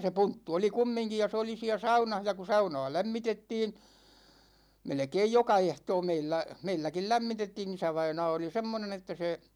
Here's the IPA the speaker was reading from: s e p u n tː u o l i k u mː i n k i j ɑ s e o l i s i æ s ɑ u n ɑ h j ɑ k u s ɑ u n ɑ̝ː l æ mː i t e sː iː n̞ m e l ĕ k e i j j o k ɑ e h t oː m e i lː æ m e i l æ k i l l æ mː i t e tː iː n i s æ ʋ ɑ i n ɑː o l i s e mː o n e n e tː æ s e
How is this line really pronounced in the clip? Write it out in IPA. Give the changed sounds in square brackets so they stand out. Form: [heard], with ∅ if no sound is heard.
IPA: s e p u n tː u o l i k u mː i [ŋ] k i j ɑ s e o l i s i æ s ɑ u n ɑ h j ɑ k u s ɑ u n ɑ̝ː l æ mː i t e [tː] iː n̞ m e l ĕ k e i j j o k ɑ e h t oː m e i lː æ m e i [lː] æ k i l l æ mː i t e tː iː n i s æ ʋ ɑ i n ɑː o l i s e mː o n e n e tː æ s e